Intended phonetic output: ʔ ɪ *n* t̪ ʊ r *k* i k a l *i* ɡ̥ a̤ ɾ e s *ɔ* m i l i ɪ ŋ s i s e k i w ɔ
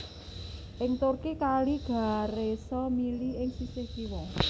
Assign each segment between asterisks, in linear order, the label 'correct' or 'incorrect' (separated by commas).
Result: incorrect, correct, correct, correct